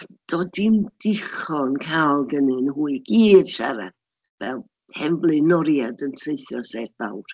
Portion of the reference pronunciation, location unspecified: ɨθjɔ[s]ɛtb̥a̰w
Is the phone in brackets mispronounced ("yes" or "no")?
no